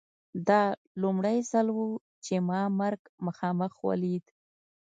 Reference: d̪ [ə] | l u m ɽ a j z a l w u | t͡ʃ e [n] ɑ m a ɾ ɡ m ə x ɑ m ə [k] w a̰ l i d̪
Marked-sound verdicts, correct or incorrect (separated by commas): incorrect, incorrect, incorrect